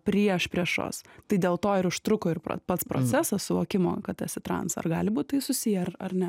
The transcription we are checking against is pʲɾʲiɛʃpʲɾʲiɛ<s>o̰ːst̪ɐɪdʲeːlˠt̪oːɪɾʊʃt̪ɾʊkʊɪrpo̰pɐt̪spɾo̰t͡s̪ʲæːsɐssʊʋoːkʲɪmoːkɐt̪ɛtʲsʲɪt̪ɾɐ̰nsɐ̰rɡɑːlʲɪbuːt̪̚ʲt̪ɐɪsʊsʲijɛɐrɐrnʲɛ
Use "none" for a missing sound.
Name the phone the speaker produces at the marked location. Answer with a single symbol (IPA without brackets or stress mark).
ʃ